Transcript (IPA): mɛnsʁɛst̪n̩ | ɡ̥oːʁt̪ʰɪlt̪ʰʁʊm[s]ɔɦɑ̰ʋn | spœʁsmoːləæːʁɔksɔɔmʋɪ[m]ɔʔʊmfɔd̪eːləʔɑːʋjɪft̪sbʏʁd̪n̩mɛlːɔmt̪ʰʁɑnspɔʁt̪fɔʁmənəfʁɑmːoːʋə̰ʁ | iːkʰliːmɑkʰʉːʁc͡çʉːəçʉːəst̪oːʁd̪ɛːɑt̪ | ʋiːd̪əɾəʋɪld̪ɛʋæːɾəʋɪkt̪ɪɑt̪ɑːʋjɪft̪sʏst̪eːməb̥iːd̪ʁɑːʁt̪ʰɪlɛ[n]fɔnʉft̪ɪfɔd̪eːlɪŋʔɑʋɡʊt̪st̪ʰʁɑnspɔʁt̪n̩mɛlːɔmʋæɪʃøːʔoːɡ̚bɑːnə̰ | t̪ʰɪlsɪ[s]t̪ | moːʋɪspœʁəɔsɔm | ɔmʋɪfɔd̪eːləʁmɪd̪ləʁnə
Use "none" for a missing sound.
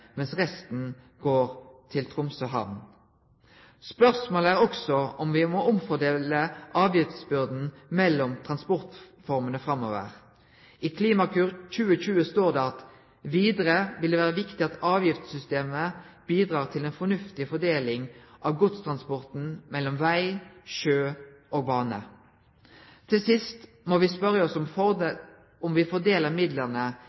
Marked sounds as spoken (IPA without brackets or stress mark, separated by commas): s, m, n, s